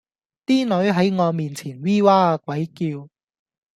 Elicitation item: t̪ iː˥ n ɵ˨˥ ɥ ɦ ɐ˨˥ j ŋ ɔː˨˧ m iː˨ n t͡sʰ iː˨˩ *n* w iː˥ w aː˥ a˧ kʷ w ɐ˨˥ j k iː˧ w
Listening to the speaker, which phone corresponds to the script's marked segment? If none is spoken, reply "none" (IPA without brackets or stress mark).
n